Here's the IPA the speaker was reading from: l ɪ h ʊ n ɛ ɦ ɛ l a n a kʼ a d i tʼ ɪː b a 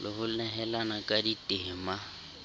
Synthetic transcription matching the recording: l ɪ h ʊ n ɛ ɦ ɛ l a n a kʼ a d i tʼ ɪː m a